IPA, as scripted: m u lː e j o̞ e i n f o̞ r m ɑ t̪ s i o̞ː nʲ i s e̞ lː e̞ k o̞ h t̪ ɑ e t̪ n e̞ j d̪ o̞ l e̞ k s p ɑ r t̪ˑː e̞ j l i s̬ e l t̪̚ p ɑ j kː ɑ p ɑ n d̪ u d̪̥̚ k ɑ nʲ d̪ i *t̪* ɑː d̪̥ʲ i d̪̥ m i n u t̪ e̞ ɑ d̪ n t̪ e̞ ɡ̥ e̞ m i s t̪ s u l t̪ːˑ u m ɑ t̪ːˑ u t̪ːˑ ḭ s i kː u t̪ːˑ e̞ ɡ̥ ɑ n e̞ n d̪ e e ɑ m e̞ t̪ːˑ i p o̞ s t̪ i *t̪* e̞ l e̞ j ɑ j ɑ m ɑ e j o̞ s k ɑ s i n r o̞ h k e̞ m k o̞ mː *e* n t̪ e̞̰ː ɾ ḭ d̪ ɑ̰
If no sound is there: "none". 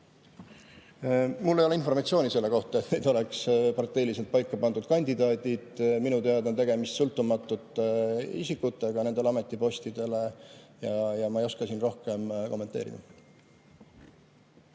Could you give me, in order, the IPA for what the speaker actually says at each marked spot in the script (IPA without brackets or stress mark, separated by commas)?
d̪, d̪, e